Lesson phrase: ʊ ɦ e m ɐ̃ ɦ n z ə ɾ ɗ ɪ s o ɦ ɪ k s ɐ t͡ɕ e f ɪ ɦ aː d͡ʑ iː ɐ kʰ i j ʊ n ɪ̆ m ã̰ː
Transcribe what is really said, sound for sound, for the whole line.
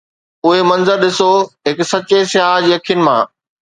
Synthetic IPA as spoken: ʊ ɦ e m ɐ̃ n z ə ɾ ɗ ɪ s o ɦ ɪ k s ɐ t͡ɕ e s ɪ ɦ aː d͡ʑ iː ɐ kʰ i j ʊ n ɪ̆ m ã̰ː

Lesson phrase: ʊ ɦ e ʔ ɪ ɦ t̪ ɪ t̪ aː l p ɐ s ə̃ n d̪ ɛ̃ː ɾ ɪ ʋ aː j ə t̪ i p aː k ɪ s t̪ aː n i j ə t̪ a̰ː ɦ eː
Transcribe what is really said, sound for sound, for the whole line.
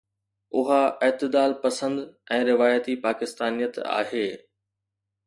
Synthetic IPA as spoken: ʊ ɦ a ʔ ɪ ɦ t̪ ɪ d̪ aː l p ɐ s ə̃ n d̪ ɛ̃ː ɾ ɪ ʋ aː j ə t̪ i p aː k ɪ s t̪ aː n i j ə t̪ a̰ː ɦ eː

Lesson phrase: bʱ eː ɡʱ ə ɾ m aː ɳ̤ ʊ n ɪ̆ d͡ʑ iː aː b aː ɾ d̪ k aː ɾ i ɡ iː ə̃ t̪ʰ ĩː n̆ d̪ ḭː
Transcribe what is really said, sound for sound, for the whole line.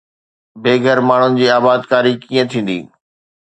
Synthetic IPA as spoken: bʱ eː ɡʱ ə ɾ m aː ɳ̤ ʊ n ɪ̆ d͡ʑ iː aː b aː d̪ k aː ɾ i k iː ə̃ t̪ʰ ĩː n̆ d̪ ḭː

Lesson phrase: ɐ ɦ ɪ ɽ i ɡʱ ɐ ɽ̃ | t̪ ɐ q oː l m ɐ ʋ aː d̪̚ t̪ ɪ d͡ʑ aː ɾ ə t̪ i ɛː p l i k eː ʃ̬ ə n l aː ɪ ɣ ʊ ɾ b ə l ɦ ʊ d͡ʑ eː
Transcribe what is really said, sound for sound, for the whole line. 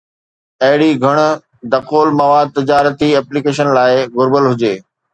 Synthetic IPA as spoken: ɐ ɦ ɪ ɽ i ɡʱ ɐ ɽ̃ | d̪ ɐ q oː l m ɐ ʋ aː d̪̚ t̪ ɪ d͡ʑ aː ɾ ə t̪ i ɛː p l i k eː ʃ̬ ə n l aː ɪ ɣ ʊ ɾ b ə l ɦ ʊ d͡ʑ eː

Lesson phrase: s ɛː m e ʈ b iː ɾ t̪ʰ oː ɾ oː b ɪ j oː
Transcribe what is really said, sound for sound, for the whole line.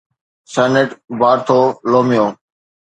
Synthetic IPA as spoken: s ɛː n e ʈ b aː ɾ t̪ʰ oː l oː m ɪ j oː

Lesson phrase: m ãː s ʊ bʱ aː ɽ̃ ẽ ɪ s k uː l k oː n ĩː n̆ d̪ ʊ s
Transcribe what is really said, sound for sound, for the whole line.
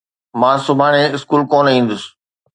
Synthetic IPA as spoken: m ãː s ʊ bʱ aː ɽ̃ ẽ ɪ s k uː l k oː n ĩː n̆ d̪ ʊ s

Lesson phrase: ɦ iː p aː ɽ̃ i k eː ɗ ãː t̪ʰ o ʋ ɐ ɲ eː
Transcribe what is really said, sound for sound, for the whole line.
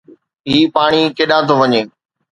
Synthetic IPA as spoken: ɦ iː p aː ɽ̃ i k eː ɗ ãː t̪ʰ o ʋ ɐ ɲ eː

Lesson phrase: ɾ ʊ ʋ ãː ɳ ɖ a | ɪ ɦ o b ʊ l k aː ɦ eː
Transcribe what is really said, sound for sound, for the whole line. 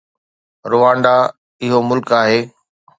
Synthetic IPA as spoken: ɾ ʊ ʋ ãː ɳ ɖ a | ɪ ɦ o m ʊ l k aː ɦ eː

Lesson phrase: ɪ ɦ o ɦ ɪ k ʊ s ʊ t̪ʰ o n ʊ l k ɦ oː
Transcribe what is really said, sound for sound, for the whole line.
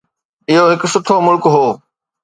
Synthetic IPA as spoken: ɪ ɦ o ɦ ɪ k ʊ s ʊ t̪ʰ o m ʊ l k ɦ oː

